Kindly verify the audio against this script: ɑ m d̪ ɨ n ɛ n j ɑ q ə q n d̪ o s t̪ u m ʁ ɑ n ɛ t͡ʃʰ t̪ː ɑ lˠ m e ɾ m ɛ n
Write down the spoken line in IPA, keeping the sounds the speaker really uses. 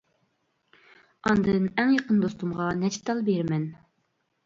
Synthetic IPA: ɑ n d̪ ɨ n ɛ ŋ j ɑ q ə n d̪ o s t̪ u m ʁ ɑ n ɛ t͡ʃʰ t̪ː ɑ lˠ b e ɾ m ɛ n